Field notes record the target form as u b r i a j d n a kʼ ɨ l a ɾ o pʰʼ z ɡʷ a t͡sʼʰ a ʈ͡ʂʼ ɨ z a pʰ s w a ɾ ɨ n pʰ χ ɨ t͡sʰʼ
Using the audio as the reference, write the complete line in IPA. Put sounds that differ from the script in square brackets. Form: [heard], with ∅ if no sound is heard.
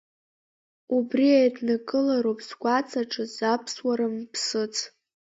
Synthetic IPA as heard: u b r i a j d n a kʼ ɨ l a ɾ o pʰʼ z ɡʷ a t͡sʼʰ a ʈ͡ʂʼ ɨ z a pʰ s w a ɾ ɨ [m] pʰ [s] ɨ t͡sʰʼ